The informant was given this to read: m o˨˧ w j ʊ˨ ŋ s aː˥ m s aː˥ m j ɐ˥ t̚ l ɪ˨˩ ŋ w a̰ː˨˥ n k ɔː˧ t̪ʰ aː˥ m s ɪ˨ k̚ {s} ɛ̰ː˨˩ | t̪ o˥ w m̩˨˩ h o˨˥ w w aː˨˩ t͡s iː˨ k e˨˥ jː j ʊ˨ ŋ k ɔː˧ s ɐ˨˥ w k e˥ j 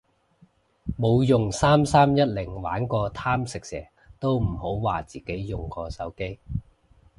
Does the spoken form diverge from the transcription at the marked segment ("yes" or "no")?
no